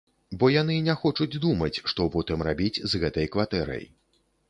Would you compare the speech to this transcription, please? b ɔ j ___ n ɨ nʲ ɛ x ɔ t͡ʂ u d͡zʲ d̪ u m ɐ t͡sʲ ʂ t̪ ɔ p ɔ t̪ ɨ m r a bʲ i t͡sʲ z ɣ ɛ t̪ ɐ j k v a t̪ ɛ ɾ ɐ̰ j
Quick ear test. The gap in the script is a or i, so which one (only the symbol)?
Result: a